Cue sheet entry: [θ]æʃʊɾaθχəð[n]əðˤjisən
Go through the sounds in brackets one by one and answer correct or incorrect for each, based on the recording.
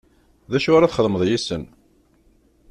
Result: incorrect, incorrect

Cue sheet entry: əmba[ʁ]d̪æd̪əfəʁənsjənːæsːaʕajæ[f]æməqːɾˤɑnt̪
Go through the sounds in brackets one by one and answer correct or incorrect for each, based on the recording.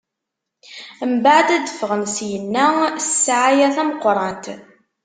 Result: incorrect, incorrect

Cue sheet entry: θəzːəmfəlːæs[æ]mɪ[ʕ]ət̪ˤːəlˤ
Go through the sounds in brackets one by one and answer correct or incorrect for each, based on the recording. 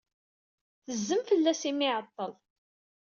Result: incorrect, correct

